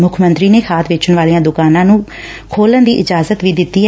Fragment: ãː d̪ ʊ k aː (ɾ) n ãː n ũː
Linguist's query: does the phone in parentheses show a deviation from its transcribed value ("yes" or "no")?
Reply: yes